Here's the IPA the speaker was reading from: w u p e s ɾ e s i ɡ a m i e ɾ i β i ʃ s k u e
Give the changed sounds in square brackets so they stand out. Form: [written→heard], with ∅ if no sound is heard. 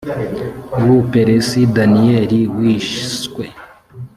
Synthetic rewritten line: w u p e [s→∅] ɾ e s i [ɡ→d] a [m→n] i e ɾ i [β→w] i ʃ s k [u→w] e